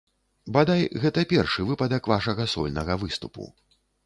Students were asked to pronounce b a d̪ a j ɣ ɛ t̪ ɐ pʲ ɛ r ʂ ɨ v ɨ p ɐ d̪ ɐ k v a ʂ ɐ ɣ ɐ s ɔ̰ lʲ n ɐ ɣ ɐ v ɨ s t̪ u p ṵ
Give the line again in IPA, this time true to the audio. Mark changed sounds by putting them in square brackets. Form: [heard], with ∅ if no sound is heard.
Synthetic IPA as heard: b a d̪ a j ɣ ɛ t̪ ɐ pʲ ɛ r ʂ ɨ v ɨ p ɐ d̪ ɐ k v a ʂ ɐ ɣ ɐ s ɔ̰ lʲ n ɐ ɣ ɐ v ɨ s t̪ u p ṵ